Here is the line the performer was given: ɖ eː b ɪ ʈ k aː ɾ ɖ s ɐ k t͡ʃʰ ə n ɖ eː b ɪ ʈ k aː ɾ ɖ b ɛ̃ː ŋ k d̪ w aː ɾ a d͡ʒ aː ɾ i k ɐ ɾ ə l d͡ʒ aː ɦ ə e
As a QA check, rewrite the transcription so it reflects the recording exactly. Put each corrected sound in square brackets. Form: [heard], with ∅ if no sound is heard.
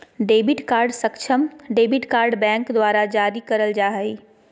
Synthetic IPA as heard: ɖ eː b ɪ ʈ k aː ɾ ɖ s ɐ k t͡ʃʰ ə [m] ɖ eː b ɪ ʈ k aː ɾ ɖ b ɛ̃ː ŋ k d̪ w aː ɾ a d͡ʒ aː ɾ i k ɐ ɾ ə l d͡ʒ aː ɦ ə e